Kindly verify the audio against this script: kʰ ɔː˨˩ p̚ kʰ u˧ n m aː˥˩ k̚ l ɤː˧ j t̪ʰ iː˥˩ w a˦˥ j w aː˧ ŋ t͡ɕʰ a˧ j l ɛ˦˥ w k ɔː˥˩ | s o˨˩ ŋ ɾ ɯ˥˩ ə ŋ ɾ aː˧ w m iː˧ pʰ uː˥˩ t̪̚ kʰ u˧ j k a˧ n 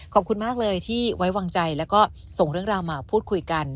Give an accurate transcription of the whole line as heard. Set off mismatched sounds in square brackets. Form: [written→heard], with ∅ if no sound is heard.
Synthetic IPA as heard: kʰ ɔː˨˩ p̚ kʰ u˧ n m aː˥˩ k̚ l ɤː˧ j t̪ʰ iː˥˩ w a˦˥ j w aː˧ ŋ [t͡ɕʰ→t͡ɕ] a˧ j l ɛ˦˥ w k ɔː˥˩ | s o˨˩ ŋ ɾ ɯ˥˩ ə ŋ ɾ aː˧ w m [iː˧→aː˧] pʰ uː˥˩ t̪̚ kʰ u˧ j k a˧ n